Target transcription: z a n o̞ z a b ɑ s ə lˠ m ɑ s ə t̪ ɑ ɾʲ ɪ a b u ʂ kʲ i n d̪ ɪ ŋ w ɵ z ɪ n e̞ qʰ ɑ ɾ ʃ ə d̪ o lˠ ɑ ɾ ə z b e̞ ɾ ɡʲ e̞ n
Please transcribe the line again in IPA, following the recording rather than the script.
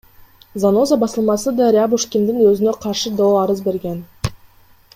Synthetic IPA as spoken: z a n o̞ z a b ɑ s ə lˠ m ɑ s ə d̪ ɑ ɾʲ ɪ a b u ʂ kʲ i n d̪ ɪ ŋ w ɵ z ɪ n e̞ qʰ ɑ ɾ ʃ ə d̪ o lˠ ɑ ɾ ə z b e̞ ɾ ɡʲ e̞ n